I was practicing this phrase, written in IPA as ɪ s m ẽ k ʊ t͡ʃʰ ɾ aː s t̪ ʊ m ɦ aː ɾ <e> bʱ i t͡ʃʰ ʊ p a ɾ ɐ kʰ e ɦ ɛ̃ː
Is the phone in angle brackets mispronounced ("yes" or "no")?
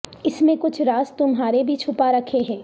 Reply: no